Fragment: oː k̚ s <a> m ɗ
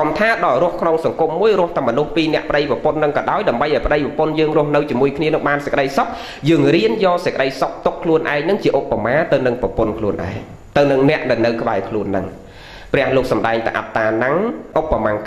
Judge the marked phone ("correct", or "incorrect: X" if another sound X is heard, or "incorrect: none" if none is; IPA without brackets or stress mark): incorrect: ɑ